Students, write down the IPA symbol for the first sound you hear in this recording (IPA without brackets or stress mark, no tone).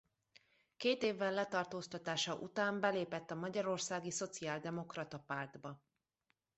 k